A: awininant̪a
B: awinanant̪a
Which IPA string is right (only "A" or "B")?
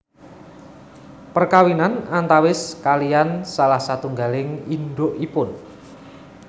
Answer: B